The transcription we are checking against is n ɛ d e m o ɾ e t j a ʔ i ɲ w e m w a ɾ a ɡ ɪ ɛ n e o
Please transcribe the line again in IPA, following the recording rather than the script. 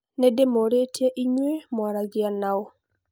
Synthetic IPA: n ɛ d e m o ɾ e t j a ʔ i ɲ w e m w a ɾ a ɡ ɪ a n a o